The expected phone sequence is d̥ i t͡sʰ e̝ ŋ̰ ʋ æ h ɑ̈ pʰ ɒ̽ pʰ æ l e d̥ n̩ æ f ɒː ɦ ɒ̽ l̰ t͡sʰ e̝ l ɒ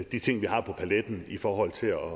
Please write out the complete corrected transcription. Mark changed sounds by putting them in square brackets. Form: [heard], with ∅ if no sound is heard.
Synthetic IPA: d̥ i t͡sʰ e̝ ŋ̰ ʋ [i] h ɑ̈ pʰ ɒ̽ pʰ æ l e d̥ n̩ [i] f ɒː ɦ ɒ̽ l̰ t͡sʰ e̝ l ɒ